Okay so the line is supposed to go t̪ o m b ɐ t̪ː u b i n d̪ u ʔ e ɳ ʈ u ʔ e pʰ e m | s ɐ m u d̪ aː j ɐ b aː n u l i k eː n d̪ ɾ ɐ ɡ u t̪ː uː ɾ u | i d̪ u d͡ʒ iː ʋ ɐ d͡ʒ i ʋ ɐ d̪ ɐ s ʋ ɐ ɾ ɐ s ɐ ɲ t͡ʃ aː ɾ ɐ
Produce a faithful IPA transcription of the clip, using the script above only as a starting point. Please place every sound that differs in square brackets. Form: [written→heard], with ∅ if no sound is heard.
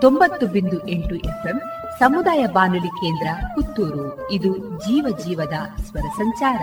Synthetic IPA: t̪ o m b ɐ t̪ː u b i n d̪ u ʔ e ɳ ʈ u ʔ e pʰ e m | s ɐ m u d̪ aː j ɐ b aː n u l i k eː n d̪ ɾ ɐ [ɡ→k] u t̪ː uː ɾ u | i d̪ u d͡ʒ iː ʋ ɐ d͡ʒ [i→iː] ʋ ɐ d̪ ɐ s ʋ ɐ ɾ ɐ s ɐ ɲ t͡ʃ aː ɾ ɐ